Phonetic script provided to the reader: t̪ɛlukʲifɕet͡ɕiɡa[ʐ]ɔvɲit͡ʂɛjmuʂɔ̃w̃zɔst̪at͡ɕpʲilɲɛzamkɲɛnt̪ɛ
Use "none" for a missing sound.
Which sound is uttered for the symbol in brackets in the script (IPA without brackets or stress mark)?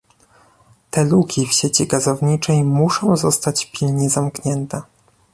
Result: z